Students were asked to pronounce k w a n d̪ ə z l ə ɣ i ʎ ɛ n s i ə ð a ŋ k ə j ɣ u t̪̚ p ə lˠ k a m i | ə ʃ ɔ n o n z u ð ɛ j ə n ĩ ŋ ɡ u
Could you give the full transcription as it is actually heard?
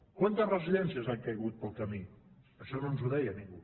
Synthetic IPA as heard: k w a n t̪ ə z r ə z i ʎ ɛ n s i ə z a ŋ k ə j ɣ u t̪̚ p ə lˠ k ə m i | ə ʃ ɔ n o n z u ð ɛ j ə n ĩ ŋ ɡ u